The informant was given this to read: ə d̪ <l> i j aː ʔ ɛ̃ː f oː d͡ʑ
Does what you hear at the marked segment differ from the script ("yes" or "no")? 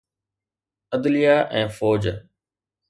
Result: no